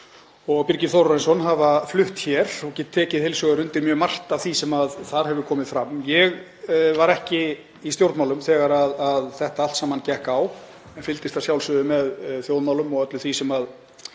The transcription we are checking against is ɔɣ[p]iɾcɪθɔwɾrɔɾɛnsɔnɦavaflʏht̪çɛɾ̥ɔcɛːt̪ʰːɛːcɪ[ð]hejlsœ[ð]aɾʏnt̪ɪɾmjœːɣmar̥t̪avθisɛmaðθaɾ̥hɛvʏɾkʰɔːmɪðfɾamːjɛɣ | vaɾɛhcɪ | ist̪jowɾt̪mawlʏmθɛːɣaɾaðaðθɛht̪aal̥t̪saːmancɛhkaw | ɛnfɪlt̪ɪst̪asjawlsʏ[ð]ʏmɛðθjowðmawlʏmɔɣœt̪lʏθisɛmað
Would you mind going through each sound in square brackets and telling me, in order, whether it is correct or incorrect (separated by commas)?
correct, correct, incorrect, correct